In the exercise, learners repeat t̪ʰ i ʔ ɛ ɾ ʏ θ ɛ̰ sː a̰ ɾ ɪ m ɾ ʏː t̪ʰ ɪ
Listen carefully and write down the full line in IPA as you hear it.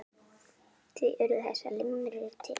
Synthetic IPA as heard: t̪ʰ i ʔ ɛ ɾ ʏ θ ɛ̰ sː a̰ l ɪ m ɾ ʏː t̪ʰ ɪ